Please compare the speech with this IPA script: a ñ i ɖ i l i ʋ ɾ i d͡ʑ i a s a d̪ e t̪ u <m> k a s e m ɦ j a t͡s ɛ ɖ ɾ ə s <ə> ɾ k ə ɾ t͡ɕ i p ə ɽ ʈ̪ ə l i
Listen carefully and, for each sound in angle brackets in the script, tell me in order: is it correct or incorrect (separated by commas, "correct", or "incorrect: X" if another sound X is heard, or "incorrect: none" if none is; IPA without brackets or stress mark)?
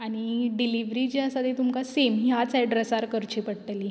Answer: correct, incorrect: a